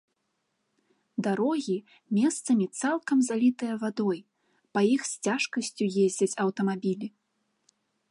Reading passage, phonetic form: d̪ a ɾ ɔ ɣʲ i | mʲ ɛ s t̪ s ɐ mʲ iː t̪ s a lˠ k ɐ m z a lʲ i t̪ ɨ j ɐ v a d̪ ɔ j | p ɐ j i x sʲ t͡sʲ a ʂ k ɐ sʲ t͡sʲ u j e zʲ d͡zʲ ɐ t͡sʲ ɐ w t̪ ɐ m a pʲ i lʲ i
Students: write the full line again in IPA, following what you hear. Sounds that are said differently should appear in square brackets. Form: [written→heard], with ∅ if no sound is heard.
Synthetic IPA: d̪ a ɾ ɔ ɣʲ i | mʲ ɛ s t̪ s ɐ mʲ [iː→i] t̪ s a lˠ k ɐ m z a lʲ i t̪ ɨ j ɐ v a d̪ ɔ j | p ɐ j i x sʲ t͡sʲ a ʂ k ɐ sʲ t͡sʲ u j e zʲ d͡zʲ ɐ t͡sʲ ɐ w t̪ ɐ m a [pʲ→bʲ] i lʲ i